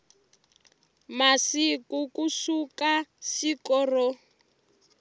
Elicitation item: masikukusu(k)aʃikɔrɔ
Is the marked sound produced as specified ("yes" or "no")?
yes